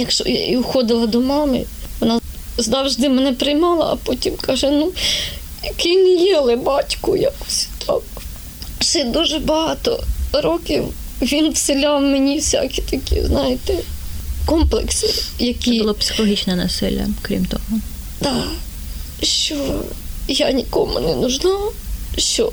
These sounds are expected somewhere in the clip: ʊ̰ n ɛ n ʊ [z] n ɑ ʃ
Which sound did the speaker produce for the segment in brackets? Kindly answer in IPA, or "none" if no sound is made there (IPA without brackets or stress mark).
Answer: ʒ